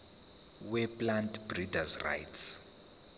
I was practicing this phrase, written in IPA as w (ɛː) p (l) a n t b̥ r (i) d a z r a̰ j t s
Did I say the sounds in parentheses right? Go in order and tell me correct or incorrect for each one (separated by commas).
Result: incorrect, correct, correct